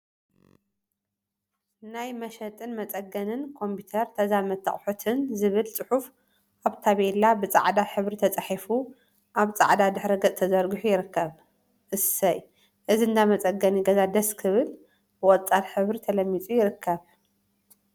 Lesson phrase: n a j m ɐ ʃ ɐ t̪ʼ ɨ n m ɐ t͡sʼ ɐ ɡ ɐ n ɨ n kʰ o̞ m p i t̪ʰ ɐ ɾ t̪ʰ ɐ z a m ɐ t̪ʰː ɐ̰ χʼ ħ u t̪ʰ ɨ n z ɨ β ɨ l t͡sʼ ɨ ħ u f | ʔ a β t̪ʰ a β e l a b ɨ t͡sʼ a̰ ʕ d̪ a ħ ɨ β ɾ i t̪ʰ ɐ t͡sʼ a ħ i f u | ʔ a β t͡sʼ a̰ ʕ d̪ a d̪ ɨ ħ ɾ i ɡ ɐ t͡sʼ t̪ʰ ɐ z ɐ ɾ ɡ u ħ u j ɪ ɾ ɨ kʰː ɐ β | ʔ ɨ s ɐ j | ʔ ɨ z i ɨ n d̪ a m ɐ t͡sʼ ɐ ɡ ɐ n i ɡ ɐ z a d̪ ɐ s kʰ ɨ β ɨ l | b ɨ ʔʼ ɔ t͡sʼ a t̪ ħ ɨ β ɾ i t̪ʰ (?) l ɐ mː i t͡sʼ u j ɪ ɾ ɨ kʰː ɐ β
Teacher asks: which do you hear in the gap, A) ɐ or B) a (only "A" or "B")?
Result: A